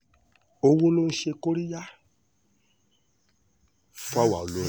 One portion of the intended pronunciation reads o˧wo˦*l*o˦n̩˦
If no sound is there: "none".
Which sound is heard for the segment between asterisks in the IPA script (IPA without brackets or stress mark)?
l